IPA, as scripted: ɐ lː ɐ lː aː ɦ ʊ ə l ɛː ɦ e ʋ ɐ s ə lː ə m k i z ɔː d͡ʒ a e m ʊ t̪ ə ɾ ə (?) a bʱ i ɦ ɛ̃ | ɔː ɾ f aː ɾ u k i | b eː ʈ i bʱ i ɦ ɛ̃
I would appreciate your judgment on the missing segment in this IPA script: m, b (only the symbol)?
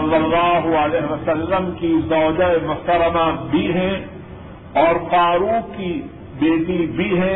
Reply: m